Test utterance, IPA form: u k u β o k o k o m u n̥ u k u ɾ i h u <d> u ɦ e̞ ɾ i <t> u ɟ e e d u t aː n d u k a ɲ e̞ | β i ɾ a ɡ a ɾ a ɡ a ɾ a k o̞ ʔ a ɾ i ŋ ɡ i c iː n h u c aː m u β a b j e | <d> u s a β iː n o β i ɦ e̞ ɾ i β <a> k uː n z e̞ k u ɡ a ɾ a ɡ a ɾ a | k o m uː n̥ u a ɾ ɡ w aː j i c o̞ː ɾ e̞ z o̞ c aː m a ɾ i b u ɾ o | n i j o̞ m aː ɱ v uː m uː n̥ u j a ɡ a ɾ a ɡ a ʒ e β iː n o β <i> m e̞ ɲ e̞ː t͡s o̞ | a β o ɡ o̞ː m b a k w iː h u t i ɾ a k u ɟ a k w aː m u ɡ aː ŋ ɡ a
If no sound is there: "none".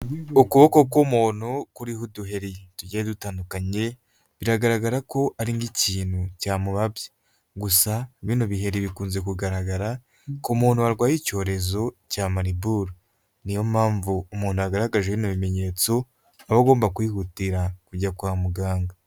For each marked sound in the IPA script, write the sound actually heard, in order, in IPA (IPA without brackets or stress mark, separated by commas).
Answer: d, t, ɡ, i, i